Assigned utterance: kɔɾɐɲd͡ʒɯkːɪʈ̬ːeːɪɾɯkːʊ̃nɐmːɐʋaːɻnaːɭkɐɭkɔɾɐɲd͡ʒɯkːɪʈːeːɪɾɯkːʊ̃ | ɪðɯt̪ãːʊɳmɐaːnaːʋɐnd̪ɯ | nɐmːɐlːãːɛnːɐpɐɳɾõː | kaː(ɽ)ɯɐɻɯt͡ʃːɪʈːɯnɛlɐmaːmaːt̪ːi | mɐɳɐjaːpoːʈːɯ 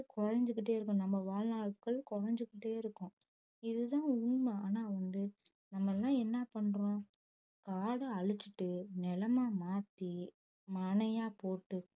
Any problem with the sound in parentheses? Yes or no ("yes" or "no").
no